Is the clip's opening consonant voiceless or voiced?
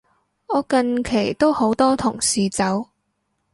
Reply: voiceless